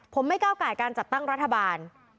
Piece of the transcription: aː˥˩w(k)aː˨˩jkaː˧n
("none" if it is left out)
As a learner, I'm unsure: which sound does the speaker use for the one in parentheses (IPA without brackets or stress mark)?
k